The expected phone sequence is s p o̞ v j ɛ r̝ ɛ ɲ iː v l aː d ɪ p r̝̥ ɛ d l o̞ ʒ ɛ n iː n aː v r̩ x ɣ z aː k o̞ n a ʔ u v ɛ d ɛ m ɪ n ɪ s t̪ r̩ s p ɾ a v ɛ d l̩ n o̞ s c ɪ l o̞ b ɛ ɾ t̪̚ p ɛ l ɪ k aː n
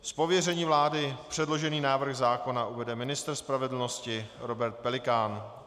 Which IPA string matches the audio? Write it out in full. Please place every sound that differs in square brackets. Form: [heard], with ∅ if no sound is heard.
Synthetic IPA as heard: s p o̞ v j ɛ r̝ ɛ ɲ iː v l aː d ɪ p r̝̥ ɛ d l o̞ ʒ ɛ n iː n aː v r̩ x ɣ z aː k o̞ n a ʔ u v ɛ d ɛ m ɪ n ɪ s t̪ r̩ s p ɾ a v ɛ d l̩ n o̞ s c ɪ [ɾ] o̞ b ɛ ɾ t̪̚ p ɛ l ɪ k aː n